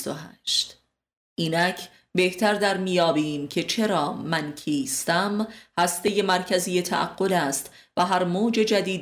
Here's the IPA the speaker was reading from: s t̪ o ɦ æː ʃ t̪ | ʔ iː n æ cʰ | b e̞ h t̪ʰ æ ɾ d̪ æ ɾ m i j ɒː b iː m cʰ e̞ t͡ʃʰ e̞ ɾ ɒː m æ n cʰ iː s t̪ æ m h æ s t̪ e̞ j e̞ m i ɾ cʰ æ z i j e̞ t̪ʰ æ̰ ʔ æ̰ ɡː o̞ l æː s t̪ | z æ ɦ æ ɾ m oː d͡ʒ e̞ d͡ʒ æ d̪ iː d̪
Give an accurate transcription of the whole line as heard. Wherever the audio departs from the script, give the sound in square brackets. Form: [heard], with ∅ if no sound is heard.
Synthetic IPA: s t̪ o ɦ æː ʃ t̪ | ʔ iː n æ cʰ | b e̞ h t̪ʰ æ ɾ d̪ æ ɾ m i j ɒː b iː m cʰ e̞ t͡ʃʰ e̞ ɾ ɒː m æ n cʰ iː s t̪ æ m h æ s t̪ e̞ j e̞ m [æ] ɾ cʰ æ z i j e̞ t̪ʰ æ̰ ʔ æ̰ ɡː o̞ l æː s t̪ | [v] æ ɦ æ ɾ m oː d͡ʒ e̞ d͡ʒ æ d̪ iː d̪